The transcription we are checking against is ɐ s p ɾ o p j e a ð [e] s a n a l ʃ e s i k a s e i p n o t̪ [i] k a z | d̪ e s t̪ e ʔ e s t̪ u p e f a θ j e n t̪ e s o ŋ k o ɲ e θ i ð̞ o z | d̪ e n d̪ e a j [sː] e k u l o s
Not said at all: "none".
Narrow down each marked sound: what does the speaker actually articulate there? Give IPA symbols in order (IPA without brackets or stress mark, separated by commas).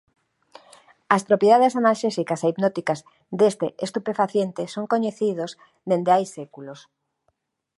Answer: e, i, s